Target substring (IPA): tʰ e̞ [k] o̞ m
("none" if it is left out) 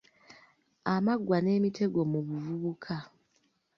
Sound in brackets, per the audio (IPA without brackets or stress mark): ɡ